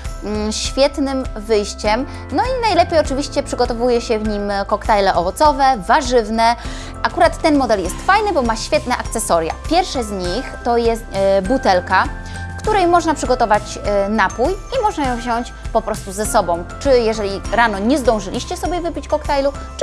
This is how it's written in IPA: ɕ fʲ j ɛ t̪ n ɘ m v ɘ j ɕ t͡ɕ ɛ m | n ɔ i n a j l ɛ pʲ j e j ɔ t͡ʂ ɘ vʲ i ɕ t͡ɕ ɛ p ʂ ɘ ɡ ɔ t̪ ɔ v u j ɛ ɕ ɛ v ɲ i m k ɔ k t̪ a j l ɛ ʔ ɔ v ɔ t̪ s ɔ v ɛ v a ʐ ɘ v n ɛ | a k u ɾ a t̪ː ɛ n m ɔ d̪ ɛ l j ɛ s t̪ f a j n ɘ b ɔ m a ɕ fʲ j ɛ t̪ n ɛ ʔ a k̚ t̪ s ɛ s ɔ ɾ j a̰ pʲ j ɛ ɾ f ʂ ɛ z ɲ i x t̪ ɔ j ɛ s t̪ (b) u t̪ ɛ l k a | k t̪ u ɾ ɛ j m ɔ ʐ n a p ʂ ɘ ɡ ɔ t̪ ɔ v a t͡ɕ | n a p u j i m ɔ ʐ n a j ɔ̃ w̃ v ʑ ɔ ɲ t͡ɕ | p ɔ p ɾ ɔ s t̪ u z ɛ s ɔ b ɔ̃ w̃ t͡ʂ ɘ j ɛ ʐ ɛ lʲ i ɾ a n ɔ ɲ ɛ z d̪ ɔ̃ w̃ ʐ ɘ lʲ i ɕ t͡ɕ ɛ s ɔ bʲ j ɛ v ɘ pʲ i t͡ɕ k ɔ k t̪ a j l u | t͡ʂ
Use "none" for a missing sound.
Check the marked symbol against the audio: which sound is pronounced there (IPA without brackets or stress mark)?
b